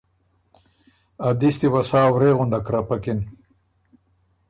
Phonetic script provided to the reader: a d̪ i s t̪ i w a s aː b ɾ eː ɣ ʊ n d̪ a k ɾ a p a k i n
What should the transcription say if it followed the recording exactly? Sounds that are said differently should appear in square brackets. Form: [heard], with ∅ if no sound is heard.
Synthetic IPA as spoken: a d̪ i s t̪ i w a s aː [w] ɾ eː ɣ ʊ n d̪ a k ɾ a p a k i n

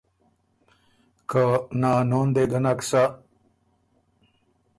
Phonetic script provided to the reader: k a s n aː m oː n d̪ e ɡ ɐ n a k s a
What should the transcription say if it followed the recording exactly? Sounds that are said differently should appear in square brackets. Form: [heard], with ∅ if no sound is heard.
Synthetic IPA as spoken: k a [∅] n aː [n] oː n d̪ e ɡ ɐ n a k s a

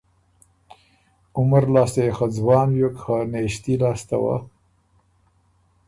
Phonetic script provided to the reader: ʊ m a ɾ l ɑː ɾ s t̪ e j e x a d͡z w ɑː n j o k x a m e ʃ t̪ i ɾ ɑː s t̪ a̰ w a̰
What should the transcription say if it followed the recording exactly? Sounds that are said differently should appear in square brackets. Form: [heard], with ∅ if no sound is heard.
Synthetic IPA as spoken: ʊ m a ɾ l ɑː [∅] s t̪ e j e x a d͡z w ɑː n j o k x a [n] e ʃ t̪ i [l] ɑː s t̪ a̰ w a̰

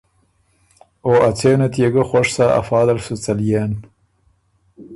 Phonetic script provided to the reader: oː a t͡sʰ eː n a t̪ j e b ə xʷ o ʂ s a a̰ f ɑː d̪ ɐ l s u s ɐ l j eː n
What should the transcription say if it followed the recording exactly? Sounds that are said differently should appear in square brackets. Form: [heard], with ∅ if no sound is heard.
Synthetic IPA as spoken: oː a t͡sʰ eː n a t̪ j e [ɡ] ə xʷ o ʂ s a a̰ f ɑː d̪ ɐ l s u [t͡s] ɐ l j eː n

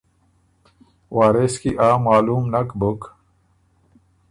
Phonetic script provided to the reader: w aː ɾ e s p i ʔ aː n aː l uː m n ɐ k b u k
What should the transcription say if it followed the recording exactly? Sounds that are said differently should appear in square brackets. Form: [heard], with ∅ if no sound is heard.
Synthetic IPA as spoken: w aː ɾ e s [k] i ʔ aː [m] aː l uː m n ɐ k b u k

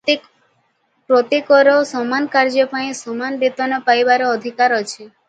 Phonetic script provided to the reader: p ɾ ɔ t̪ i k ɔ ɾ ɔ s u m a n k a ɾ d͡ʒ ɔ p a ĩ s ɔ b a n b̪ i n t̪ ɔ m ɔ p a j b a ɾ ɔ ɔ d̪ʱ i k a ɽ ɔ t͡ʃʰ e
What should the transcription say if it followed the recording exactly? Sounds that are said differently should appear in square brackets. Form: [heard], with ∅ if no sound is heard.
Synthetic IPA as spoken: p ɾ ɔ t̪ i k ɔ ɾ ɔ s [ɔ] m a n k a ɾ d͡ʒ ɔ p a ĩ s ɔ [m] a n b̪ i [∅] t̪ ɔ [n] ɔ p a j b a ɾ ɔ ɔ d̪ʱ i k a [ɾ] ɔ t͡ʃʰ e

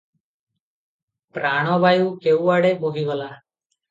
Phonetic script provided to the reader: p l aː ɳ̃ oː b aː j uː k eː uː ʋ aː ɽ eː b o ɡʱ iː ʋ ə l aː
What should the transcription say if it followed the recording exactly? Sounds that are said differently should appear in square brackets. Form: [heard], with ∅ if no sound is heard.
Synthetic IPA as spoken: p [ɾ] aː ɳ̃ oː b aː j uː k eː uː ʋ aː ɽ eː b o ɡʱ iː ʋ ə l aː

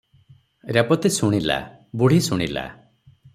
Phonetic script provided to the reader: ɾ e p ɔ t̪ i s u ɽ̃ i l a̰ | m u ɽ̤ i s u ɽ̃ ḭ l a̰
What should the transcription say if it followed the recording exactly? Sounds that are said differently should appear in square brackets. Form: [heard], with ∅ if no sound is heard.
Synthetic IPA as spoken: ɾ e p ɔ t̪ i s u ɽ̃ i l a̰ | [b] u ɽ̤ i s u ɽ̃ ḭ l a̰

